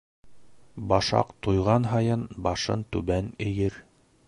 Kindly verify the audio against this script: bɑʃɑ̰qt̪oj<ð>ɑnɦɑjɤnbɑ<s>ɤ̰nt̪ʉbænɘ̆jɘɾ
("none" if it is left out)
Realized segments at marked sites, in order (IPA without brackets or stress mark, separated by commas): ʁ, ʃ